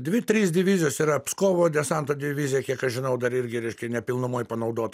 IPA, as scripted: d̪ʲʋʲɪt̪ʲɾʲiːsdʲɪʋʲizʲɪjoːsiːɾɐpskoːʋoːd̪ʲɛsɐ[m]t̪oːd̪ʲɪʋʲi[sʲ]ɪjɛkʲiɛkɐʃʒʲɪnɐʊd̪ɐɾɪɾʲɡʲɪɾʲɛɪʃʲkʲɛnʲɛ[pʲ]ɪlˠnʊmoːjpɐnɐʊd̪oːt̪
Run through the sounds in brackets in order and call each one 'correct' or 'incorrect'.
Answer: incorrect: n, incorrect: zʲ, correct

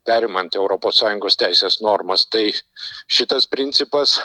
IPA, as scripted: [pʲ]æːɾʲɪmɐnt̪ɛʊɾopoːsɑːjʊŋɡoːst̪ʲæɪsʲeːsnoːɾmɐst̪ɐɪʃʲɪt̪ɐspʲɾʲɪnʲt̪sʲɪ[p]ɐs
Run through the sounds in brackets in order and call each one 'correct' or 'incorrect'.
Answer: correct, correct

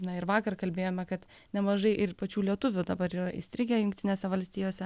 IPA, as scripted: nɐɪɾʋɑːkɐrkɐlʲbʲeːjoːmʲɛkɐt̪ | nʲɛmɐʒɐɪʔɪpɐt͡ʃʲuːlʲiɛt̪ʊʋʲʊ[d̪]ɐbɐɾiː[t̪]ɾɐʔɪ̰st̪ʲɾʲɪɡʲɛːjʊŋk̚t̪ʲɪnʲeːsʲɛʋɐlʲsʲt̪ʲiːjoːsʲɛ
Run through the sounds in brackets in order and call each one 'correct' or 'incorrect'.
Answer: correct, incorrect: none

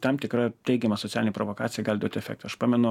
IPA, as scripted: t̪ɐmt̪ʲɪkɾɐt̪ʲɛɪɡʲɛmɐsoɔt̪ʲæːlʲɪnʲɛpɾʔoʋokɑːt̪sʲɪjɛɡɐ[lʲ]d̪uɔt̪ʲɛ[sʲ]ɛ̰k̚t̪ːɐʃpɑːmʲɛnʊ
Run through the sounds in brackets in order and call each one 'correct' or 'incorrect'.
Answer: correct, incorrect: fʲ

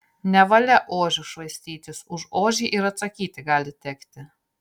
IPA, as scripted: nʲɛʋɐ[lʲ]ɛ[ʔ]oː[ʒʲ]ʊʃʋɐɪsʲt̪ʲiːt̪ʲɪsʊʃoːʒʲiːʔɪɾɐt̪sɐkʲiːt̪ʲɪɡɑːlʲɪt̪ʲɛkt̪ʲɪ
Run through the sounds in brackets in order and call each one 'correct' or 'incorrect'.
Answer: correct, correct, correct

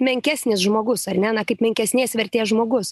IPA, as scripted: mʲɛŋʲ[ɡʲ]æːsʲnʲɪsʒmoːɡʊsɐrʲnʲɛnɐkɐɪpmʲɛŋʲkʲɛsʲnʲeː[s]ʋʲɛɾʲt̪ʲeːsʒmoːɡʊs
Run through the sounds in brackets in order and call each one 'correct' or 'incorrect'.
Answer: incorrect: kʲ, correct

